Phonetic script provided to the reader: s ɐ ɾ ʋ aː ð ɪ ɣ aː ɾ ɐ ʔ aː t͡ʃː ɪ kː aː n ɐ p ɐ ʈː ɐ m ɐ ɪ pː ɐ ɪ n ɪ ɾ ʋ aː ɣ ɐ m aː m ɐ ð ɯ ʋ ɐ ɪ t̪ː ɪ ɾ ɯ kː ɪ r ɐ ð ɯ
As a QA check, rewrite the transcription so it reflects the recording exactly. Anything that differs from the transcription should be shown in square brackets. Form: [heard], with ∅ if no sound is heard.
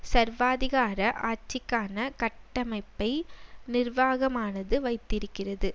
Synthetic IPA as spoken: s ɐ ɾ ʋ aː ð ɪ ɣ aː ɾ ɐ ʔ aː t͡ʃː ɪ kː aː n ɐ [k] ɐ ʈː ɐ m ɐ ɪ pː ɐ ɪ n ɪ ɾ ʋ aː ɣ ɐ m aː [n] ɐ ð ɯ ʋ ɐ ɪ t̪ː ɪ ɾ ɯ kː ɪ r ɐ ð ɯ